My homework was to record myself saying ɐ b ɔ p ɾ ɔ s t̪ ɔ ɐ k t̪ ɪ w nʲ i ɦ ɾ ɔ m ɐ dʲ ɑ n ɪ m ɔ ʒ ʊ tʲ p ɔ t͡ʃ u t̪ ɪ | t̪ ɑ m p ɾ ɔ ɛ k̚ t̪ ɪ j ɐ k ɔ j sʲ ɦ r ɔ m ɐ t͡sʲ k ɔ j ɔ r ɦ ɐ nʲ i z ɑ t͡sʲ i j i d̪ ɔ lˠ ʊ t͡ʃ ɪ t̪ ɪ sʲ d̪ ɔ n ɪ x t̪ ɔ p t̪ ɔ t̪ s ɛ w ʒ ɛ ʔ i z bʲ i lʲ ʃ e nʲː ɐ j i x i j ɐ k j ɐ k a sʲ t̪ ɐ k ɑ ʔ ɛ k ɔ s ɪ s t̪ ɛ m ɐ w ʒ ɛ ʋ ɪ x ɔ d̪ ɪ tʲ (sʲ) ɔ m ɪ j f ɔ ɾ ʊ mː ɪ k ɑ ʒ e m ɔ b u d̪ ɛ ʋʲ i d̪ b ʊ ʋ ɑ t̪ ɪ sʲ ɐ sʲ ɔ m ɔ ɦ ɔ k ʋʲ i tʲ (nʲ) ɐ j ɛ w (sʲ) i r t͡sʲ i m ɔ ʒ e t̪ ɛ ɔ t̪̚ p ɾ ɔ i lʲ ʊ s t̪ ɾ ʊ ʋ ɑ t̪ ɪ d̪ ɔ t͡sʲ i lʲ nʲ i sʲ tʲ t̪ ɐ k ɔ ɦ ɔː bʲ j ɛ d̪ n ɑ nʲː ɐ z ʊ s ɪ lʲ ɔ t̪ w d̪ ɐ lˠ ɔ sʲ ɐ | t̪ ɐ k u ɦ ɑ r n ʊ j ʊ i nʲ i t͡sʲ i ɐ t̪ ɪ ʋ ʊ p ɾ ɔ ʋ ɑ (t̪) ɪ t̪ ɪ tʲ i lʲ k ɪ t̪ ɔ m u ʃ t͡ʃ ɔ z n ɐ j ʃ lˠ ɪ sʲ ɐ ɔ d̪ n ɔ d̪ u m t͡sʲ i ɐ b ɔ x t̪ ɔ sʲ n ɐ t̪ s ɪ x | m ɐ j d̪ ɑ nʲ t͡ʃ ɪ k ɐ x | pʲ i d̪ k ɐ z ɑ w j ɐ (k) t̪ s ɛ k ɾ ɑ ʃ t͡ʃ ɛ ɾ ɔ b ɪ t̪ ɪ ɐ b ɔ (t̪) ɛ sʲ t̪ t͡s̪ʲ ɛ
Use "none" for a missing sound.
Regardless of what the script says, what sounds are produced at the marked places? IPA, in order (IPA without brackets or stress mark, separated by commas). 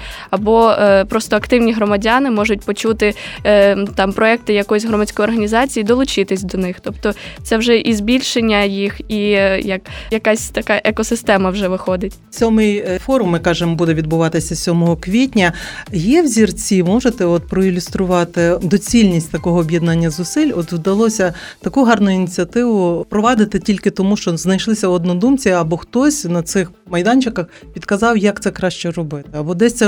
sʲ, nʲ, zʲ, d̪, k, d̪